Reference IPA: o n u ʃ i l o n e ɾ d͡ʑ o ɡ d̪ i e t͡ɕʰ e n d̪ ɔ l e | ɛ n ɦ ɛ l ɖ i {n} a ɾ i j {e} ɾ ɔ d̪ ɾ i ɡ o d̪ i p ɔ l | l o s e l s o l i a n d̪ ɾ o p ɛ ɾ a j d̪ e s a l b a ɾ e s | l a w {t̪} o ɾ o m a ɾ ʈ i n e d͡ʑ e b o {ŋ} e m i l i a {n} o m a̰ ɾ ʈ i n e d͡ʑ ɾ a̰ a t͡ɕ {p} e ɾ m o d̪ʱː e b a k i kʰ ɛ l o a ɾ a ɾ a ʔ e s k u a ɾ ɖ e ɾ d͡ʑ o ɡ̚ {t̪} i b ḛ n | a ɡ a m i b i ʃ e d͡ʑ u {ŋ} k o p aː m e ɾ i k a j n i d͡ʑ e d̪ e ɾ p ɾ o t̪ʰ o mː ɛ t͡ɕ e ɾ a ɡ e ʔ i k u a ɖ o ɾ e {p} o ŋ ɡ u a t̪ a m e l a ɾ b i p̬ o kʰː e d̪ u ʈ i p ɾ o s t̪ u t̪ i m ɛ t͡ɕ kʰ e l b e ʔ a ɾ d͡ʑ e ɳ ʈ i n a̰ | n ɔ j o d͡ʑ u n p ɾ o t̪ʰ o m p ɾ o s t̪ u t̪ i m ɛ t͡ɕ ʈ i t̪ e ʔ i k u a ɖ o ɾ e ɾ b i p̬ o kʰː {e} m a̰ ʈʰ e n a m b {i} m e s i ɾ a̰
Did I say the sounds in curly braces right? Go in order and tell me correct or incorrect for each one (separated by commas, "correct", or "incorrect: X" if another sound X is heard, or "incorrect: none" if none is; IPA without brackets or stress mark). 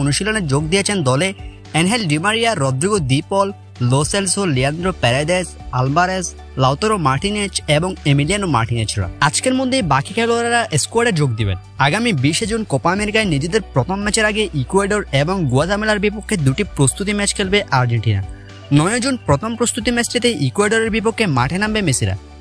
incorrect: m, incorrect: a, correct, correct, correct, incorrect: k, incorrect: d̪, incorrect: n, incorrect: b, correct, incorrect: e